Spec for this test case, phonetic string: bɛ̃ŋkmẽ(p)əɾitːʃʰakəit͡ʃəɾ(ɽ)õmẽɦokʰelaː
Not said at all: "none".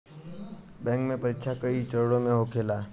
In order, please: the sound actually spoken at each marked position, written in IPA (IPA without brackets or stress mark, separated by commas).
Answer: p, ɽ